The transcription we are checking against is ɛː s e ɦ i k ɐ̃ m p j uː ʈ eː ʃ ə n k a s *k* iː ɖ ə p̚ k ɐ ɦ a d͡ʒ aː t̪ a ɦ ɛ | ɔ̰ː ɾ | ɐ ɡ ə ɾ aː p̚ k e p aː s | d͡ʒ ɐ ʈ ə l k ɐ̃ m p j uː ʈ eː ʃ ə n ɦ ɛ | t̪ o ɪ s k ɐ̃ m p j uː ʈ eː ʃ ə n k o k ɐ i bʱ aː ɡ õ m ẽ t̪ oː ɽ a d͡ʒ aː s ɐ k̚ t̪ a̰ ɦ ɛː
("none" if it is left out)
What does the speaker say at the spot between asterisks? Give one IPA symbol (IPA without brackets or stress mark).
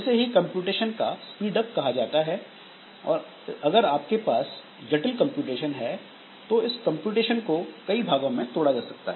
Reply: p